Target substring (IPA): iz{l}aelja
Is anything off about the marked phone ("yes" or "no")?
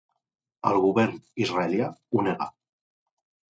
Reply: yes